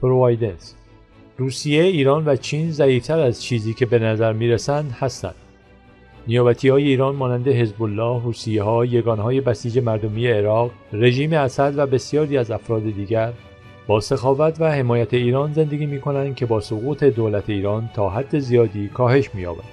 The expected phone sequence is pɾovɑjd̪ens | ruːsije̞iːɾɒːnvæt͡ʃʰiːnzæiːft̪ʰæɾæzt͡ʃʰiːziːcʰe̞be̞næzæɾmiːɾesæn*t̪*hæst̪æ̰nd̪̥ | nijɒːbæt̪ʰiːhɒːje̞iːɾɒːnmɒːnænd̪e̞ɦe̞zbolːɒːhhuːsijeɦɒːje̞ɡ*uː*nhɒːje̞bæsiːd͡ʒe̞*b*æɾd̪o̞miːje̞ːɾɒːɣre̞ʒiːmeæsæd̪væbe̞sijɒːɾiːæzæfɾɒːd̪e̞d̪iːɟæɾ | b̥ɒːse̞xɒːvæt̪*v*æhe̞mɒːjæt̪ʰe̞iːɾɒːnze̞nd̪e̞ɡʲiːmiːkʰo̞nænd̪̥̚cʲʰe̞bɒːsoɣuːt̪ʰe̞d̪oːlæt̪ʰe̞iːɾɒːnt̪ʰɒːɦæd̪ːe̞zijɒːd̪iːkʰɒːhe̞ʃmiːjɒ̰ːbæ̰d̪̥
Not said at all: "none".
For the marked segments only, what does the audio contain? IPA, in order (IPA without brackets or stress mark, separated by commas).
d̪, ɒː, m, v